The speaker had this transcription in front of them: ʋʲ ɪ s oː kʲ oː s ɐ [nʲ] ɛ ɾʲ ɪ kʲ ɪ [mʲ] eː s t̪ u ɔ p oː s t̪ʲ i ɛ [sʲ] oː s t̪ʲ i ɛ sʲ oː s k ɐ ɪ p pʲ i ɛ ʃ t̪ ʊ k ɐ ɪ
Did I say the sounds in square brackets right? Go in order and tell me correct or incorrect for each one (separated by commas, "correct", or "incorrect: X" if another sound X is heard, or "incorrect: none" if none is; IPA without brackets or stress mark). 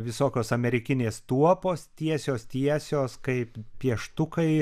incorrect: mʲ, incorrect: nʲ, correct